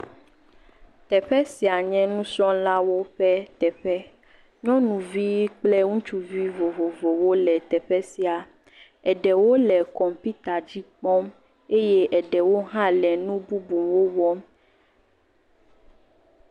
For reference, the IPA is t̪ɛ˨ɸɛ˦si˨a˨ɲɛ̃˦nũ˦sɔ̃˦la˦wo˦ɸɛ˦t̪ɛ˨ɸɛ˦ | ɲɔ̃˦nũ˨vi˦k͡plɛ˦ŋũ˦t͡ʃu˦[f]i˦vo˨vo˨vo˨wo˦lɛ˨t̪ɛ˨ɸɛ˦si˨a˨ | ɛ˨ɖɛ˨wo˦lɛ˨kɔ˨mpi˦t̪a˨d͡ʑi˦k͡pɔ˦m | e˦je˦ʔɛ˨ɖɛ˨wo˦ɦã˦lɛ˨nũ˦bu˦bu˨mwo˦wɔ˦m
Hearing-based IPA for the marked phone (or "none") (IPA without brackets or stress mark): v